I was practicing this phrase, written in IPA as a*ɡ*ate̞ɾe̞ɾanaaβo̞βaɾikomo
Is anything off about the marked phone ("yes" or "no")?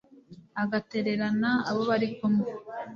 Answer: no